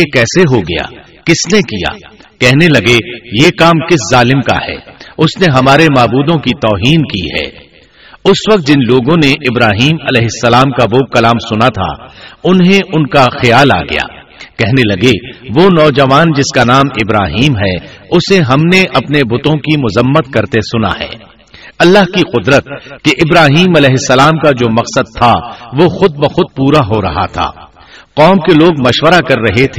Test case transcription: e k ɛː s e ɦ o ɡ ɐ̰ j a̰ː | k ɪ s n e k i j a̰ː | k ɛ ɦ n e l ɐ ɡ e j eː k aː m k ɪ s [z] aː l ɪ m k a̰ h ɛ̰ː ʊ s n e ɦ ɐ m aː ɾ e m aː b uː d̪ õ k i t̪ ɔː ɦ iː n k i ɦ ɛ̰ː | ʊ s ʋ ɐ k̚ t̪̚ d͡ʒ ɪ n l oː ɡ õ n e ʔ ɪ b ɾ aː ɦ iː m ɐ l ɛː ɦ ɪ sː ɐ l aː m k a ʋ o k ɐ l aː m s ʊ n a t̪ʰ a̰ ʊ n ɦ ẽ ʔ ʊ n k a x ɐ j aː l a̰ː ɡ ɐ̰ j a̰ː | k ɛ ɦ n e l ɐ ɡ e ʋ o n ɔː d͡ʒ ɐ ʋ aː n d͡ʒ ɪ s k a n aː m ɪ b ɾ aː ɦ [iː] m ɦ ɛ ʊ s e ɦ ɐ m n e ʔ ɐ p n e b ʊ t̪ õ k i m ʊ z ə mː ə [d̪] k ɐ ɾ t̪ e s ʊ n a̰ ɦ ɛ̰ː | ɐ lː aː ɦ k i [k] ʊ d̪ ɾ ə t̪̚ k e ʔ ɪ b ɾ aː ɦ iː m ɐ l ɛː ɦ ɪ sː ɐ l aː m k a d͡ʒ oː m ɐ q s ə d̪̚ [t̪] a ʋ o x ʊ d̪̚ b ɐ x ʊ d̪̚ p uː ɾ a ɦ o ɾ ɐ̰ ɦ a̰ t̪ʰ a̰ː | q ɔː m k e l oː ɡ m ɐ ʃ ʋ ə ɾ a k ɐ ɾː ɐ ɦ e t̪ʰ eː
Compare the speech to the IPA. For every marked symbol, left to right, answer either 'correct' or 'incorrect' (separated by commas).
correct, correct, incorrect, incorrect, incorrect